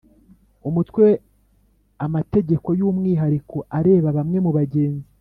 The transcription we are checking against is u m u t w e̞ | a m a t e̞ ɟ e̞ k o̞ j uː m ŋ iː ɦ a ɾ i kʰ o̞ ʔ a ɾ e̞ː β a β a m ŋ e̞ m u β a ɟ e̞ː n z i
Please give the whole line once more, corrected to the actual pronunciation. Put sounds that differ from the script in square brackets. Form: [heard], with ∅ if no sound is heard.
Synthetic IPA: u m u t w e̞ | a m a t e̞ ɟ e̞ k o̞ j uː m ŋ iː ɦ a ɾ i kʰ o̞ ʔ a ɾ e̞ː β a β a m ŋ e̞ m u β a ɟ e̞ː n z i